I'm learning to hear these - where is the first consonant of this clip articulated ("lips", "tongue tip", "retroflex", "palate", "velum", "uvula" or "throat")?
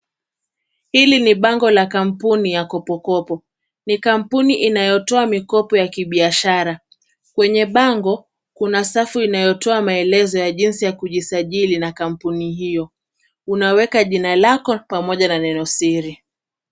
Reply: throat